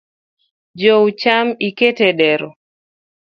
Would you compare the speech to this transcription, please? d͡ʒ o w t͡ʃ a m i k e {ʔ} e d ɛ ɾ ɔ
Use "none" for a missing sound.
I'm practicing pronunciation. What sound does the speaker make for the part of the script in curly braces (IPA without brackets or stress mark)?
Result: t